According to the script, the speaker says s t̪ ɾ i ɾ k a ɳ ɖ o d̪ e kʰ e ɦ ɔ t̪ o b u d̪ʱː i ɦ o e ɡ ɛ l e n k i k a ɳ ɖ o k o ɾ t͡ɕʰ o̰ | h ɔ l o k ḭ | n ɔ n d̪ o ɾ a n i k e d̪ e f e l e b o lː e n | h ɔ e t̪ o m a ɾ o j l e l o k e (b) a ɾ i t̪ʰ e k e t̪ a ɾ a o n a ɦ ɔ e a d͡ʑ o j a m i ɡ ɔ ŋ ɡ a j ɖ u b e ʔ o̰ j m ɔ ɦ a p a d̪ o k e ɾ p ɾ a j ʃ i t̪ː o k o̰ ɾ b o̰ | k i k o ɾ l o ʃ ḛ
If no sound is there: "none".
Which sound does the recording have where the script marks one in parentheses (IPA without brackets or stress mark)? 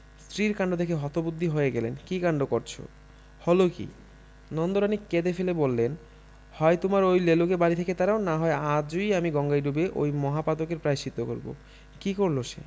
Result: b